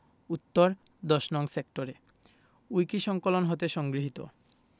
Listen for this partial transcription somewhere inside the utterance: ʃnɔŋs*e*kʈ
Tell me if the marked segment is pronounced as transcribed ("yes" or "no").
yes